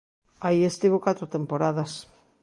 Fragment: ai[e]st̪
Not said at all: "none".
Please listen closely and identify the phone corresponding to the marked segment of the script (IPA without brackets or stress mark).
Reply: e